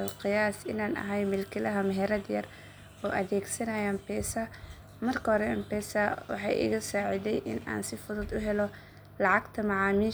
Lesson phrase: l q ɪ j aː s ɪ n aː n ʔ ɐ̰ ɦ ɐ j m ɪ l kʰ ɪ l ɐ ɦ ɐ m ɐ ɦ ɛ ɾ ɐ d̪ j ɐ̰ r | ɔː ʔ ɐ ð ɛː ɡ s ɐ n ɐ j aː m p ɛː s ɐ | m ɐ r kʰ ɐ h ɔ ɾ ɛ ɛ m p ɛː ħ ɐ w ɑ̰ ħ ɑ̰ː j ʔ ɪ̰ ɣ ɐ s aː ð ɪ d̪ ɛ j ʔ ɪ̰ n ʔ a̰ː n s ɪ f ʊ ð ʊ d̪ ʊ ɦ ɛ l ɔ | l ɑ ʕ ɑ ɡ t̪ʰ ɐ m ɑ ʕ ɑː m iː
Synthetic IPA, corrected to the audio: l q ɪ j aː s ɪ n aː n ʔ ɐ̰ ɦ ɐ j m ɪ l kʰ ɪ l ɐ ɦ ɐ m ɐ ɦ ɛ ɾ ɐ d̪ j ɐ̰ r | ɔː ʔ ɐ ð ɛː ɡ s ɐ n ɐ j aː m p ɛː s ɐ | m ɐ r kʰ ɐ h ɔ ɾ ɛ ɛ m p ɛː s ɐ w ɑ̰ ħ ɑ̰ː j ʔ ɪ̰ ɣ ɐ s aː ʕ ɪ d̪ ɛ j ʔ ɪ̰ n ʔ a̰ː n s ɪ f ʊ ð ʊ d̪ ʊ ɦ ɛ l ɔ | l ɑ ʕ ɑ ɡ t̪ʰ ɐ m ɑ ʕ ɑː m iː